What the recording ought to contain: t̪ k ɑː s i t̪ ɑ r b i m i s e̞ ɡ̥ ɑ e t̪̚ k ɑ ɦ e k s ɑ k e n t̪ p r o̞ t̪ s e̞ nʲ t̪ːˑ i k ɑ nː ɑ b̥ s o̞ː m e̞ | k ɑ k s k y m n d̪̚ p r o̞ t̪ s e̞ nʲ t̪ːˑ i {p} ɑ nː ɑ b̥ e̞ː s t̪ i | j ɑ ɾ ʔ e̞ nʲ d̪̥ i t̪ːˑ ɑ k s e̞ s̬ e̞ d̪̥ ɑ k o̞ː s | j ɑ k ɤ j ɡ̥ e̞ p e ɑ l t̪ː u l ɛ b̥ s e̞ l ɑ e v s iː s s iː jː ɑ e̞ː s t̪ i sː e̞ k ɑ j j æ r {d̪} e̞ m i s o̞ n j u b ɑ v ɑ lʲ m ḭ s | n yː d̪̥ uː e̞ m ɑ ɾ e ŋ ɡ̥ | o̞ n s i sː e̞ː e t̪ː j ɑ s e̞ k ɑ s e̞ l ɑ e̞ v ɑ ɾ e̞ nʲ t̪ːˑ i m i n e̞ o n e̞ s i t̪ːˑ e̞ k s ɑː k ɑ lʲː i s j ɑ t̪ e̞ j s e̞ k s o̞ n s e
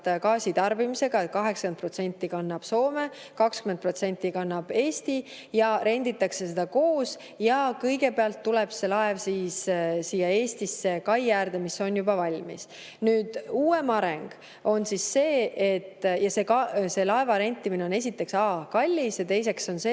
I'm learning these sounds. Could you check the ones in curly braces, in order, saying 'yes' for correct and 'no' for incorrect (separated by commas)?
no, yes